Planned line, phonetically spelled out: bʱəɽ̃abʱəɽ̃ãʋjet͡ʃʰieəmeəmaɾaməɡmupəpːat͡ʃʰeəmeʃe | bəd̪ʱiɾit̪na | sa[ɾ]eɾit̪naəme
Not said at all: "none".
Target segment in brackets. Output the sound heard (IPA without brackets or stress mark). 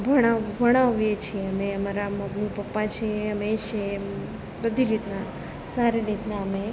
ɾ